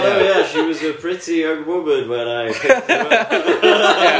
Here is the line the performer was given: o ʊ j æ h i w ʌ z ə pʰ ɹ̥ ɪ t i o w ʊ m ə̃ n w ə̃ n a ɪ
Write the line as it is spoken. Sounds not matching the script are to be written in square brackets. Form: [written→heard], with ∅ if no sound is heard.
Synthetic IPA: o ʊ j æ [h→ʃ] i w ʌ z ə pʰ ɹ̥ ɪ t i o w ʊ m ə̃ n w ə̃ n a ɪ